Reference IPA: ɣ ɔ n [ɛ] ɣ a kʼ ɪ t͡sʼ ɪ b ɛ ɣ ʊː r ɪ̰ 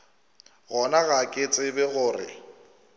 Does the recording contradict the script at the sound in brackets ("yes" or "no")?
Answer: yes